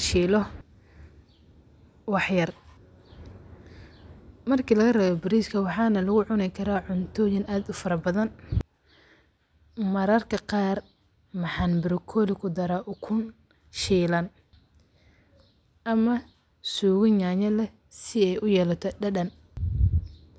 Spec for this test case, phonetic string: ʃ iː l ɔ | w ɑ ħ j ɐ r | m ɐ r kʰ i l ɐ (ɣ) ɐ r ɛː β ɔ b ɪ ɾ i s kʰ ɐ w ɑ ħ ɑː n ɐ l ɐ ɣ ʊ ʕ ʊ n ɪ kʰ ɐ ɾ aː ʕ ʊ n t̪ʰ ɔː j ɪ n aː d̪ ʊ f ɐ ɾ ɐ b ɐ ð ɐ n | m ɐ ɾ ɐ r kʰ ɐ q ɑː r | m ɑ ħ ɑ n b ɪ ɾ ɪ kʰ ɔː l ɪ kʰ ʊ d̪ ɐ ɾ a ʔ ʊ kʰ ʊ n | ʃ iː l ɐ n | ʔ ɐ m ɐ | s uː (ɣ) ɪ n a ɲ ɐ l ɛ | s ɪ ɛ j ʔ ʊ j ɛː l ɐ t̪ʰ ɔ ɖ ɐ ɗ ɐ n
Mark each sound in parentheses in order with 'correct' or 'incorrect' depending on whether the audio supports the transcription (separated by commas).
correct, correct